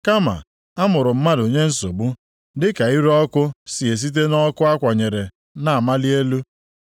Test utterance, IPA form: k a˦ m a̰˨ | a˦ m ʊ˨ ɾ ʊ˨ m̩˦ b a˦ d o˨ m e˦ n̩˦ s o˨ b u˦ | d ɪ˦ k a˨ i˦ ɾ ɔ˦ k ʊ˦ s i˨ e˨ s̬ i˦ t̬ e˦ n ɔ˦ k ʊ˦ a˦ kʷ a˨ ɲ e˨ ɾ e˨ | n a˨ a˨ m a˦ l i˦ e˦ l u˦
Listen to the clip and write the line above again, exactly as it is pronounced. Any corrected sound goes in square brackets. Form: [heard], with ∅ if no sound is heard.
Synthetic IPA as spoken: k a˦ m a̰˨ | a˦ m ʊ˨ ɾ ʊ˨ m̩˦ [m] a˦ d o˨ [ɲ] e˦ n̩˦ s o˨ b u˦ | d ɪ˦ k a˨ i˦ ɾ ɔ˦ k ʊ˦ s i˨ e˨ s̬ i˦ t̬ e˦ n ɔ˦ k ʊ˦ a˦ kʷ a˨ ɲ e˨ ɾ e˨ | n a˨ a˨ m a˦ l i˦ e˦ l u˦